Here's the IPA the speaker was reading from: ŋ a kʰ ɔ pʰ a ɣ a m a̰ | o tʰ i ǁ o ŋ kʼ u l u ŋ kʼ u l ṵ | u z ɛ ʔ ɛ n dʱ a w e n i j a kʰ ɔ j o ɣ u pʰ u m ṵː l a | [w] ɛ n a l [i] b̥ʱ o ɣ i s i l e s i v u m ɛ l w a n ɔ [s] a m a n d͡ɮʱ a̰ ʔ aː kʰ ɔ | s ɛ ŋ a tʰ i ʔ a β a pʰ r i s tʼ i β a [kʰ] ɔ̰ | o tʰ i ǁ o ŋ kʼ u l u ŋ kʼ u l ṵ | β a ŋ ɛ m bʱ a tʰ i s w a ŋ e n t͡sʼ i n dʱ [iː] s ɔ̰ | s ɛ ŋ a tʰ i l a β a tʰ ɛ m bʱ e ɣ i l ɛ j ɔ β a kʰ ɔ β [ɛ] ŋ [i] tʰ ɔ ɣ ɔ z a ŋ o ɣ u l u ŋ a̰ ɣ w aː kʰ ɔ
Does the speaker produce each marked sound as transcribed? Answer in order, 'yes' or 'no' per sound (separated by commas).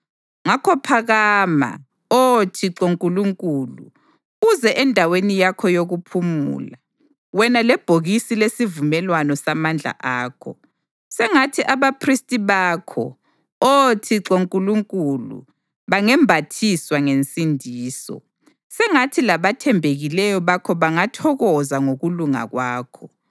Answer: yes, no, yes, yes, yes, no, no